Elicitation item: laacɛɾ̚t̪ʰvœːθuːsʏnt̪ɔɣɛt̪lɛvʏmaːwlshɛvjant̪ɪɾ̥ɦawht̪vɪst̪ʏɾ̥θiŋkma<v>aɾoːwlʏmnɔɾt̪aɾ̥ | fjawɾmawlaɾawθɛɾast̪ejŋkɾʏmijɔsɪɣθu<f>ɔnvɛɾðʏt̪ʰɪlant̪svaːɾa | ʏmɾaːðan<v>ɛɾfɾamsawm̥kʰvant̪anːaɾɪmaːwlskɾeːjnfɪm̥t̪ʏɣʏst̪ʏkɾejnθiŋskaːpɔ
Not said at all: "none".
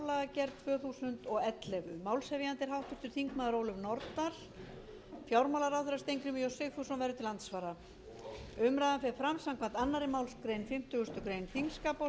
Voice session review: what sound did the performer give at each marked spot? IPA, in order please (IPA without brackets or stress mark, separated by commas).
ð, s, f